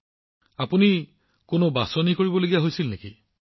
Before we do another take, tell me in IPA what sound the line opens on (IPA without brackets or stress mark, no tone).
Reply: a